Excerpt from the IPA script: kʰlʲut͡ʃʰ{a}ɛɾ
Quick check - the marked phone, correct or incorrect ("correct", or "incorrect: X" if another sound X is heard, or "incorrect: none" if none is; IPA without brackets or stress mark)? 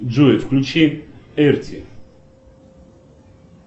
incorrect: i